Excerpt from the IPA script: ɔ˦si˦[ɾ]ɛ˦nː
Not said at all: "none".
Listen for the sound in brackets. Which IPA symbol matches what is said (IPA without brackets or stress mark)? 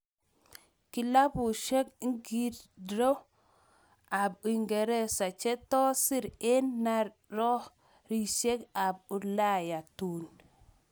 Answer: ɾ